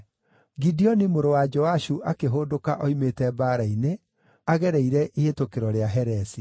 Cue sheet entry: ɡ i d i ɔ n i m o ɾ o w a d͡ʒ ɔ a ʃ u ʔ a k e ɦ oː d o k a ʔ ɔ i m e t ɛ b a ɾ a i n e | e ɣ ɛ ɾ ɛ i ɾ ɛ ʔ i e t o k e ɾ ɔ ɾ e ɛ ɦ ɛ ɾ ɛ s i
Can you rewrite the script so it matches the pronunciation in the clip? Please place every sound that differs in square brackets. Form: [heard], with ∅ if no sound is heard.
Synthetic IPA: ɡ i d i ɔ n i m o ɾ o w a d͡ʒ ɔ a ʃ u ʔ a k e ɦ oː d o k a ʔ ɔ i m e t ɛ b a ɾ a i n e | [a] ɣ ɛ ɾ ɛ i ɾ ɛ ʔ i e t o k e ɾ ɔ ɾ e [a] ɦ ɛ ɾ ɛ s i